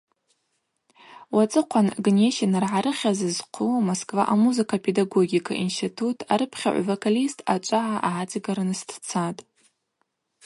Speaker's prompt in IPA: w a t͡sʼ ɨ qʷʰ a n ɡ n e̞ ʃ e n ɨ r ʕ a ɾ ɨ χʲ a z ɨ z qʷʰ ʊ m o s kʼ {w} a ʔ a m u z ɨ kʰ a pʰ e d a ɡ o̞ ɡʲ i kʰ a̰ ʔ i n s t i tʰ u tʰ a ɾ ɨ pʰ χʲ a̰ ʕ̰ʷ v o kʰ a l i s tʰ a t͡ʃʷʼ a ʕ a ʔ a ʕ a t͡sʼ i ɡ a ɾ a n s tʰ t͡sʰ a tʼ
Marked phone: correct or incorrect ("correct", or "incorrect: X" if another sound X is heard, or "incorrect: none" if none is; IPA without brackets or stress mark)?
incorrect: v